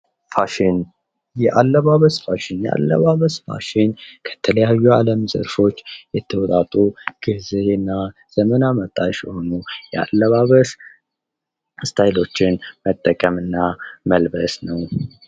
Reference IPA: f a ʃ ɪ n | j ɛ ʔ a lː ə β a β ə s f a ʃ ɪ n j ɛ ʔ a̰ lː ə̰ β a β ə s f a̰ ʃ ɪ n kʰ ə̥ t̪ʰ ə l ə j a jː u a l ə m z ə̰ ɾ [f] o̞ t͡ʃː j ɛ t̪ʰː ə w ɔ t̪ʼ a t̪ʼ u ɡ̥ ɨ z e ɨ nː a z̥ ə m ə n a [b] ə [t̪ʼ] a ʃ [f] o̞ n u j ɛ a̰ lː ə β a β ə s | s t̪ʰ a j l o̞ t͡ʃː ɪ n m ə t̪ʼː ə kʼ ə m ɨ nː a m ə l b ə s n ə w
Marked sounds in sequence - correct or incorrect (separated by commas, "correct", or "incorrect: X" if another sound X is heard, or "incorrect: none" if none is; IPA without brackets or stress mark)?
correct, incorrect: m, correct, incorrect: h